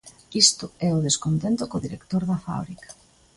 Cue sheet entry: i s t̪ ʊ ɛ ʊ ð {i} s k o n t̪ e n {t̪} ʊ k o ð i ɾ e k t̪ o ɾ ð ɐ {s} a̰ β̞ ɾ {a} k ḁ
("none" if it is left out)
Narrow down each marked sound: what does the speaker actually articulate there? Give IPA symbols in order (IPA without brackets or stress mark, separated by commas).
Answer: e, t̪, f, i